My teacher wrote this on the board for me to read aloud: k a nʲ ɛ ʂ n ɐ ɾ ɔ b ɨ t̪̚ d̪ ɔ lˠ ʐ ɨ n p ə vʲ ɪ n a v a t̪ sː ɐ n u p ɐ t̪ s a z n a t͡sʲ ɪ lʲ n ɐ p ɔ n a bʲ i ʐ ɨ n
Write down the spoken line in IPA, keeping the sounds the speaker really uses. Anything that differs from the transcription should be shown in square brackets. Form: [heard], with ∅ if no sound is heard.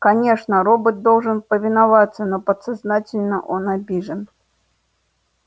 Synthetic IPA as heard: k a nʲ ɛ ʂ n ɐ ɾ ɔ b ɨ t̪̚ d̪ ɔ lˠ ʐ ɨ n p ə vʲ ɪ n a v a t̪ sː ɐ n [ɔ] p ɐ t̪ s a z n a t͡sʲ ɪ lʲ n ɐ [ʔ] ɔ n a bʲ i ʐ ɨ n